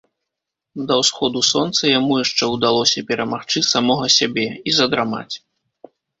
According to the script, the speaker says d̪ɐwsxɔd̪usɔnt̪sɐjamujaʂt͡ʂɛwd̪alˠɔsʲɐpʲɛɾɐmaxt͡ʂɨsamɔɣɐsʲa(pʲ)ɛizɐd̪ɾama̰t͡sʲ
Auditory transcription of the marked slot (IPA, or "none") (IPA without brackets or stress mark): bʲ